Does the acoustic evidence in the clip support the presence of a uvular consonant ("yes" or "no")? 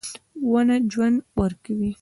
no